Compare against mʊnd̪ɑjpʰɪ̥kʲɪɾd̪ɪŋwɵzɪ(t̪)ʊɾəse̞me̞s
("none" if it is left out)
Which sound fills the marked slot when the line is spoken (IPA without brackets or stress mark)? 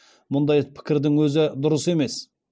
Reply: d̪